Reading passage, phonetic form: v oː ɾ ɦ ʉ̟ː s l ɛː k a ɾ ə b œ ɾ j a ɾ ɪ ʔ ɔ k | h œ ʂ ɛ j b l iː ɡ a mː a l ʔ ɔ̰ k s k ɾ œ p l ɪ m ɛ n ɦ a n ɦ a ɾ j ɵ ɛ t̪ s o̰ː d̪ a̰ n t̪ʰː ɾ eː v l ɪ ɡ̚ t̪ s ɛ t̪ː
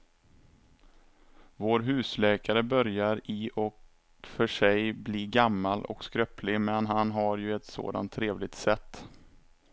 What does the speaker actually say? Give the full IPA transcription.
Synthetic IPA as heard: v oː ɾ ɦ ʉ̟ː s l ɛː k a ɾ ə b œ ɾ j a ɾ ɪ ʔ ɔ k | f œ ʂ ɛ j b l iː ɡ a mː a l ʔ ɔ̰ k s k ɾ œ p l ɪ m ɛ n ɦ a n ɦ a ɾ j ɵ ɛ t̪ s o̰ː d̪ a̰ n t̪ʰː ɾ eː v l ɪ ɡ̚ t̪ s ɛ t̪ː